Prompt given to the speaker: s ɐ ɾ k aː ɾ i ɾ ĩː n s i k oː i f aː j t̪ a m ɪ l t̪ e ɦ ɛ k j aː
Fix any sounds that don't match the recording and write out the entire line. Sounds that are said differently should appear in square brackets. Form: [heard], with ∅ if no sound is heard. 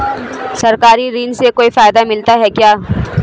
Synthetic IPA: s ɐ ɾ k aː ɾ i ɾ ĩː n s [e] k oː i f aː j [d̪] a m ɪ l t̪ [a] ɦ ɛ k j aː